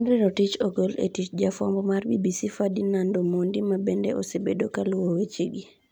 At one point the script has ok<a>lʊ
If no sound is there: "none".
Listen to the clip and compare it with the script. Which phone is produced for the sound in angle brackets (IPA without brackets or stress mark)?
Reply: a